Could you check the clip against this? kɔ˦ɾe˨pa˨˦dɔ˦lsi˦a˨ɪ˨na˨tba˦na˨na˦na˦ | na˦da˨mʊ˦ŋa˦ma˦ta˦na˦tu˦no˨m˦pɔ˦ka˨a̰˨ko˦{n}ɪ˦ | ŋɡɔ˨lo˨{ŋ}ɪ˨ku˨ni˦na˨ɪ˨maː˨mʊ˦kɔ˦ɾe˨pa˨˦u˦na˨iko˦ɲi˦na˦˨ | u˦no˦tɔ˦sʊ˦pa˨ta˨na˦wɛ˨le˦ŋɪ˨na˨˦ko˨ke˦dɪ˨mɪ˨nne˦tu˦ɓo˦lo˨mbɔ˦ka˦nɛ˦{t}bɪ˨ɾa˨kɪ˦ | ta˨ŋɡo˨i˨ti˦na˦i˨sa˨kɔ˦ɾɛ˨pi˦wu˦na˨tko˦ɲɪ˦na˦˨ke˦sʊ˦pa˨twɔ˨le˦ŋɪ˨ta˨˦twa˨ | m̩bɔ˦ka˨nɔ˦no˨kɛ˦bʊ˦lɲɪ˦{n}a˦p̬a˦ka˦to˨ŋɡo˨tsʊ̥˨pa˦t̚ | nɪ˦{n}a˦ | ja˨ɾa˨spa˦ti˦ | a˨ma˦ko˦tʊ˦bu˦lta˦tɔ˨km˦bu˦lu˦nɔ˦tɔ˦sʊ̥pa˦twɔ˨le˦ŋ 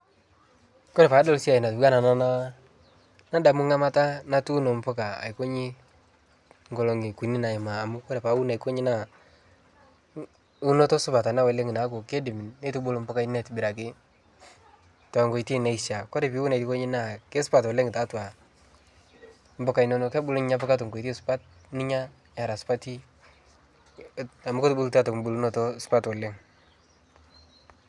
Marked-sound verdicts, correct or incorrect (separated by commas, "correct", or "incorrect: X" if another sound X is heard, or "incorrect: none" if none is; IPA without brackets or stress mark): incorrect: ɲ, correct, correct, incorrect: ɲ, incorrect: ɲ